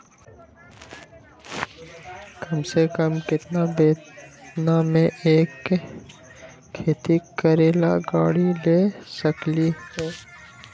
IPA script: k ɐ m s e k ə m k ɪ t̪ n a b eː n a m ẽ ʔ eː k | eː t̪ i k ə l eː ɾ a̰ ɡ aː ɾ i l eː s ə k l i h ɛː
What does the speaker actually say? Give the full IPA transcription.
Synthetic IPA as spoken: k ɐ m s e k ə m k ɪ t̪ n a b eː n a m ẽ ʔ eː k | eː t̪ i k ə ɾ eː l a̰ ɡ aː ɽ i l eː s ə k l i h ɛː